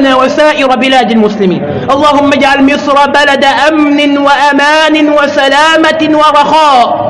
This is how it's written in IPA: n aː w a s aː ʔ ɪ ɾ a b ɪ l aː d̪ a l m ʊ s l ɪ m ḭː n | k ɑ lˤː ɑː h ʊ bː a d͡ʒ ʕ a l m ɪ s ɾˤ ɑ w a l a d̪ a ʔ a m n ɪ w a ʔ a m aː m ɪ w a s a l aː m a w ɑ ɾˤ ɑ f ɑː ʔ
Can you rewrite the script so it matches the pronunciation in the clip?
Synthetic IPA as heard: n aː w a s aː ʔ ɪ ɾ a b ɪ l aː d̪ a l m ʊ s l ɪ m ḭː n | ʔ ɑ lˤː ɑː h ʊ mː a d͡ʒ ʕ a l m ɪ s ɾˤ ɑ b a l a d̪ a ʔ a m n ɪ w a ʔ a m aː n ɪ w a s a l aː m a w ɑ ɾˤ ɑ x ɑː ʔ

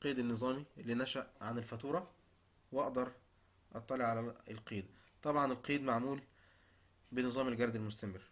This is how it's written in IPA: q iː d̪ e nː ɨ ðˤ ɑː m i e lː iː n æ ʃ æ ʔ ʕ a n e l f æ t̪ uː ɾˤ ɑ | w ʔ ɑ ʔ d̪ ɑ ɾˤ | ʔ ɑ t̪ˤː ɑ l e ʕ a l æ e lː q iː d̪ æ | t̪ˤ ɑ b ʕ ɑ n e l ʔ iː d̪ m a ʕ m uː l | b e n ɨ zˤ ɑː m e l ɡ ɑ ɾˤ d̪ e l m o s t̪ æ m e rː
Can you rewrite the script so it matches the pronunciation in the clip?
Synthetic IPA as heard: q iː d̪ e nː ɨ zˤ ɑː m i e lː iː n æ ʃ æ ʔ ʕ a n e l f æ t̪ uː ɾˤ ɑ | w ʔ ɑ ʔ d̪ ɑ ɾˤ | ʔ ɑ t̪ˤː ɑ l e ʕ a l æ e l q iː d̪ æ | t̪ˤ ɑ b ʕ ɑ n e l q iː d̪ m a ʕ m uː l | b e n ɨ zˤ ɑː m e l ɡ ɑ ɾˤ d̪ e l m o s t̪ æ m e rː

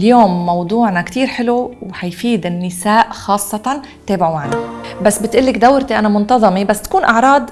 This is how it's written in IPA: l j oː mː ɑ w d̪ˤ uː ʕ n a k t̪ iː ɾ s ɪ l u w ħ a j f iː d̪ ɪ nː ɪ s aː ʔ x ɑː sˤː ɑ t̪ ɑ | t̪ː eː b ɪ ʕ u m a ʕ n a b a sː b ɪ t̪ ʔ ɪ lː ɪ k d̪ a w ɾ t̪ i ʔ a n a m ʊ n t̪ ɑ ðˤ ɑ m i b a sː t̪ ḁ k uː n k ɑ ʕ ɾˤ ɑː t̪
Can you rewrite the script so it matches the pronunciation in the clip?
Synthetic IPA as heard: l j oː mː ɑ w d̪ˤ uː ʕ n a k t̪ iː ɾ ħ ɪ l u w ħ a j f iː d̪ ɪ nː ɪ s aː ʔ x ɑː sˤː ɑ t̪ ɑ | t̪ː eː b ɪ ʕ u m a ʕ n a b a sː b ɪ t̪ ʔ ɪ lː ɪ k d̪ a w ɾ t̪ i ʔ a n a m ʊ n t̪ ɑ ðˤ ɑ m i b a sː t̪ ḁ k uː n ʔ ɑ ʕ ɾˤ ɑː d̪

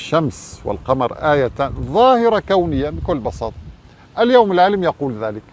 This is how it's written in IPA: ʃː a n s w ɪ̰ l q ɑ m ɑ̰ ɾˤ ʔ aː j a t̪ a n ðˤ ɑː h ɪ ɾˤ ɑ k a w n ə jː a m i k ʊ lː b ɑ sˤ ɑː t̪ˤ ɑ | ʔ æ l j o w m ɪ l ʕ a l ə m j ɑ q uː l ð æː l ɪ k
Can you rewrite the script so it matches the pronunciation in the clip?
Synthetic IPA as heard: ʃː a m s w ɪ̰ l q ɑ m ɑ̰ ɾˤ ʔ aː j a t̪ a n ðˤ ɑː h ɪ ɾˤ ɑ k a w n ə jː a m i k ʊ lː b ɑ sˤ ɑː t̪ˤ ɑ | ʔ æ l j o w m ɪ l ʕ a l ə m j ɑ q uː l ð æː l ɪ k

